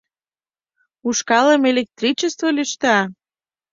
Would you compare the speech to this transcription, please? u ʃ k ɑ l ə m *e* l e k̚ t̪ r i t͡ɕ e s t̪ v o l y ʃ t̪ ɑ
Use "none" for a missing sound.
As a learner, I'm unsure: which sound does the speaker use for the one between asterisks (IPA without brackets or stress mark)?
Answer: e